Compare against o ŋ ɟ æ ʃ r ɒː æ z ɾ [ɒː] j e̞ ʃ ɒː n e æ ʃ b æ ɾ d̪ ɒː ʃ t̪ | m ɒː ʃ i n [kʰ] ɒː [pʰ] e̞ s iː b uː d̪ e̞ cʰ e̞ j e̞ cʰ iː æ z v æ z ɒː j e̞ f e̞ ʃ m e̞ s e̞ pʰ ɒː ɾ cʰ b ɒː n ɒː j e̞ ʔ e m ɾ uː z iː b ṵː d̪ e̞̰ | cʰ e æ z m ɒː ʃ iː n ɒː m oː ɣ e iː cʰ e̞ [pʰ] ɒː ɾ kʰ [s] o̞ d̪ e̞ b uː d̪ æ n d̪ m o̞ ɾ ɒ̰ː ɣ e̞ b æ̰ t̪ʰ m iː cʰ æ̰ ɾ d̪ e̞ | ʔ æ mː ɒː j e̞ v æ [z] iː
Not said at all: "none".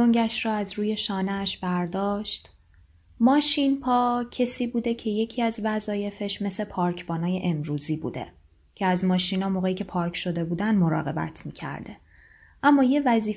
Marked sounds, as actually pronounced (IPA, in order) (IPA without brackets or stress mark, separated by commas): uː, pʰ, cʰ, pʰ, ʃ, z